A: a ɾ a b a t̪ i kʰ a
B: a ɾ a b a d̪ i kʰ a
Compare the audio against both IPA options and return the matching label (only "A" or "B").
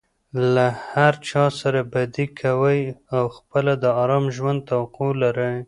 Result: B